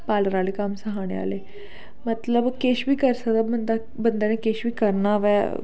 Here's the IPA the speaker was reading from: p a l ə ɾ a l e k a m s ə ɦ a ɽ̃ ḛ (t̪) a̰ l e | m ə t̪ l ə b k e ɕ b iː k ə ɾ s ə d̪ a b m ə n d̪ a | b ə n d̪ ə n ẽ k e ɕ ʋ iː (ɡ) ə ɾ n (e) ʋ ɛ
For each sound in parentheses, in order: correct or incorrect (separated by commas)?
incorrect, incorrect, incorrect